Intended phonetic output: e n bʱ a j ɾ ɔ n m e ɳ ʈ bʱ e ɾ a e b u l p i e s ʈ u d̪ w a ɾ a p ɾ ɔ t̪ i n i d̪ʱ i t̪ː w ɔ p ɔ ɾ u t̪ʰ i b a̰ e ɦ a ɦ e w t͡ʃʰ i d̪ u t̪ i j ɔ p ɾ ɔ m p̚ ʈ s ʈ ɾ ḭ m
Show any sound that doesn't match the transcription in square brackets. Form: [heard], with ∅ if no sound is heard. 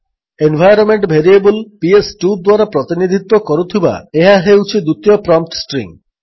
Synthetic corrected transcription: e n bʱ a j ɾ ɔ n m e ɳ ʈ bʱ e ɾ [i] e b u l p i e s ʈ u d̪ w a ɾ a p ɾ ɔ t̪ i n i d̪ʱ i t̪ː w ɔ [k] ɔ ɾ u t̪ʰ i b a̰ e ɦ a ɦ e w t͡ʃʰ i d̪ u t̪ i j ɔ p ɾ ɔ m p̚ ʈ s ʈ ɾ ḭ [ŋ]